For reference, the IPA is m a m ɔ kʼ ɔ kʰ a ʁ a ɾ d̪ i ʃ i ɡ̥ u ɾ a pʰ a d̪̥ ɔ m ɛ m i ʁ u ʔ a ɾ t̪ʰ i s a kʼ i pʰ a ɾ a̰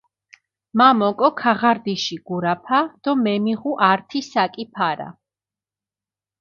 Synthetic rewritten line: m a m ɔ kʼ ɔ kʰ a ʁ a ɾ d̪ i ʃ i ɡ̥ u ɾ a pʰ a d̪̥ ɔ m ɛ m i ʁ u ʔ a ɾ t̪ʰ i s a kʼ i pʰ a ɾ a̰